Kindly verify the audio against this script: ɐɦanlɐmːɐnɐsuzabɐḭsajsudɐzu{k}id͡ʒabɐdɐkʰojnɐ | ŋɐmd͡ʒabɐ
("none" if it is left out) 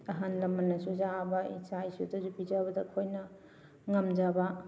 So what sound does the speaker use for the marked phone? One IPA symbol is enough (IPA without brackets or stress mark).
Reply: p